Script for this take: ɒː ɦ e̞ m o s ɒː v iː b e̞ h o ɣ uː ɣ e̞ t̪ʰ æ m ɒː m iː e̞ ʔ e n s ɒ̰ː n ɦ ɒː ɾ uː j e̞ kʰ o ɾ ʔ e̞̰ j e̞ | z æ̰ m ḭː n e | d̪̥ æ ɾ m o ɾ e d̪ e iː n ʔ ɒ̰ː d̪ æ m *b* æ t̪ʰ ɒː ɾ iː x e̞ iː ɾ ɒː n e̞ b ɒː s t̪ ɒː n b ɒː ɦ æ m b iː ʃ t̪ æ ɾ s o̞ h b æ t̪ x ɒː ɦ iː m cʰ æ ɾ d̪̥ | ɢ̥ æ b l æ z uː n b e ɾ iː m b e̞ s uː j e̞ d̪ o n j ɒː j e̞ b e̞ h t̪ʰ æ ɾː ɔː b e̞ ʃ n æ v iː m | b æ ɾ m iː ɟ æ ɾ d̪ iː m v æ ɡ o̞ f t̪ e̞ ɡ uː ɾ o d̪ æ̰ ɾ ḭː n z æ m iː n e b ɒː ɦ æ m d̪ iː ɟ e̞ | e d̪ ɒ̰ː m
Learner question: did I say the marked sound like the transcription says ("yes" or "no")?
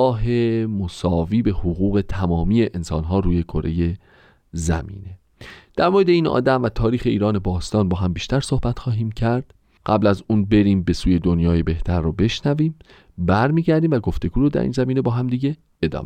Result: no